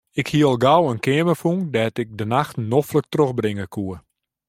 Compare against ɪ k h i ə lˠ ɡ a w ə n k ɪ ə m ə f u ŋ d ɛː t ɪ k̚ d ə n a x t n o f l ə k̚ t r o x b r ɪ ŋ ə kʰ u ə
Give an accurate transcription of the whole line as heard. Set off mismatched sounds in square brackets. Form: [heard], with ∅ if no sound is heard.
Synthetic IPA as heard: ɪ k h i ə lˠ ɡ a w ə n k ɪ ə m ə f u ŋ d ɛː t ɪ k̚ d ə n a x t n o f l ə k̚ t r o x b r ɪ ŋ ə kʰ u ə

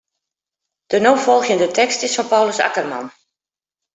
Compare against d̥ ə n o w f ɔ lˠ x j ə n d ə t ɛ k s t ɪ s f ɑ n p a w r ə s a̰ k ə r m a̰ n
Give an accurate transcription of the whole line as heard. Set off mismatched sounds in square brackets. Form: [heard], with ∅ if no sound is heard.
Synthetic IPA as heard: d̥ ə n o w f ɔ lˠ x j ə n d ə t ɛ k s t ɪ s f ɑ n p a w [l] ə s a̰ k ə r m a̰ n

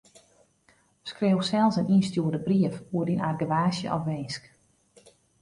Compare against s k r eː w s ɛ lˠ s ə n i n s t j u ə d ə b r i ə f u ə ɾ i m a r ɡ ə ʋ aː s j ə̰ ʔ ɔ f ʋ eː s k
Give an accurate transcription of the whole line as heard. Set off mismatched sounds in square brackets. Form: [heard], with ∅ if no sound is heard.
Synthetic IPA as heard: s k r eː w s ɛ lˠ s ə n i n s t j u ə d ə b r i ə f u ə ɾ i [n] a r ɡ ə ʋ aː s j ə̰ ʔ ɔ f ʋ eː s k

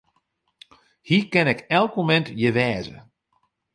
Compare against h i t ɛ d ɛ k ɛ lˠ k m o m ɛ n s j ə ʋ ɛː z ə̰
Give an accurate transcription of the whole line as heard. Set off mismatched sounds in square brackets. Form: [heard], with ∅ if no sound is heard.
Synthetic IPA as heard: h i [k] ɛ [n] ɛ k ɛ lˠ k m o m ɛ n [t] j ə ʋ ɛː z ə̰

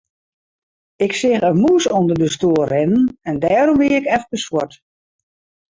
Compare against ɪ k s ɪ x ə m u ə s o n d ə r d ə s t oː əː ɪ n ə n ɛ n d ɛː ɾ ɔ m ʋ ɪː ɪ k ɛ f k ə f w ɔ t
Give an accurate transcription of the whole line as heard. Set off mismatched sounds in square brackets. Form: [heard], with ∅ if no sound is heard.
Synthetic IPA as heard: ɪ k s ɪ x ə m u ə s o n d ə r d ə s t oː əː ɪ n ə n ɛ n d ɛː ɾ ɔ m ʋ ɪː ɪ k ɛ f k ə [s] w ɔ t

